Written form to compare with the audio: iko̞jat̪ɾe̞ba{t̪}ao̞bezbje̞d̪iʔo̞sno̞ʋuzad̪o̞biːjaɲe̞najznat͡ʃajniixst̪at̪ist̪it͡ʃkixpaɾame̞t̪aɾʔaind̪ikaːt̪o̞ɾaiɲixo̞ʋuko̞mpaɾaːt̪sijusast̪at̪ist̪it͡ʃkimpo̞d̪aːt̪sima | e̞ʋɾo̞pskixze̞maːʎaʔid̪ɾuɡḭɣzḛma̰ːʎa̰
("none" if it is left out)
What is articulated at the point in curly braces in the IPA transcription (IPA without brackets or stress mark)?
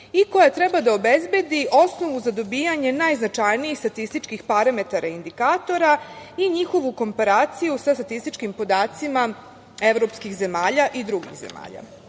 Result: d̪